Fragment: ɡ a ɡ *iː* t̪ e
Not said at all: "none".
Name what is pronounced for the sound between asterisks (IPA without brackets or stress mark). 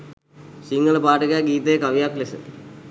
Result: iː